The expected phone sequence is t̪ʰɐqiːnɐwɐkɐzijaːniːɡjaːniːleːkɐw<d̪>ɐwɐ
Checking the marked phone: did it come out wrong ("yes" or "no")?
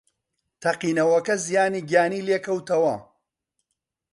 yes